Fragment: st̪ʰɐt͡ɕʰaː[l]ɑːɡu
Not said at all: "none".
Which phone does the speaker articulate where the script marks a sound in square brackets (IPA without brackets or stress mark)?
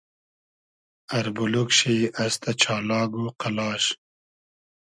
l